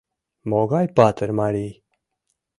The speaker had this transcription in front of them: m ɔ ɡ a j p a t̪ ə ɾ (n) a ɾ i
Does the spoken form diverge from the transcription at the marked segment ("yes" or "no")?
yes